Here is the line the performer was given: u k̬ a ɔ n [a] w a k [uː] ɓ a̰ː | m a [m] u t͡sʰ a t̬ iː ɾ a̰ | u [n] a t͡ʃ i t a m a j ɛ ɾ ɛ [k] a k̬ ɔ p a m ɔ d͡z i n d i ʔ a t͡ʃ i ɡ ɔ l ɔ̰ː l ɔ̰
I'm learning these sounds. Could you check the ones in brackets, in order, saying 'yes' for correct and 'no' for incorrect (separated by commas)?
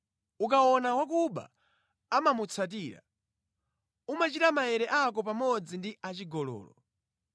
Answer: yes, no, yes, no, no